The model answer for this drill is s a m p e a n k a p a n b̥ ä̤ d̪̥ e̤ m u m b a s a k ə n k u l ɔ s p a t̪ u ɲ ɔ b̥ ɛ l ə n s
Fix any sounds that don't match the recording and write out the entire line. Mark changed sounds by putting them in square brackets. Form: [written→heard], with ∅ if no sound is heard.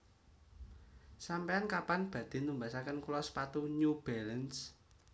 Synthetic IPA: s a m p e a n k a p a n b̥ ä̤ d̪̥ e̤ [m→n] u m b a s a k ə n k u l ɔ s p a t̪ u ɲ [ɔ→u] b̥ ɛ l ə n s